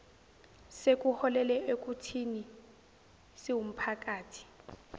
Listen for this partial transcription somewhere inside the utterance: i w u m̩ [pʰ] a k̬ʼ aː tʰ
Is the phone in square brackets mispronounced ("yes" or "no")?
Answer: no